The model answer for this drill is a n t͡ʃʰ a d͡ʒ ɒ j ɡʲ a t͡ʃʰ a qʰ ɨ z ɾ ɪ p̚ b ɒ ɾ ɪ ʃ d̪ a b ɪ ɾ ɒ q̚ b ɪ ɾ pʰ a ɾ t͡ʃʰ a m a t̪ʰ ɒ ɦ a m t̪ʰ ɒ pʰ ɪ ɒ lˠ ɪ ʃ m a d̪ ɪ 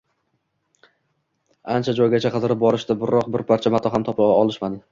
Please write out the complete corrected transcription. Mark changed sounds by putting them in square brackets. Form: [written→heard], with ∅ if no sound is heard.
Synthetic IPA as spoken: a n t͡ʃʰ a d͡ʒ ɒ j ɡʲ a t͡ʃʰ a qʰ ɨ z ɾ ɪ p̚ b ɒ ɾ ɪ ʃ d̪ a b ɪ ɾ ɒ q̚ b ɪ ɾ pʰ a ɾ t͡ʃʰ a m a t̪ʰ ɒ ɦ a m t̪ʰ ɒ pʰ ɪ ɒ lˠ ɪ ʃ m a d̪ ɪ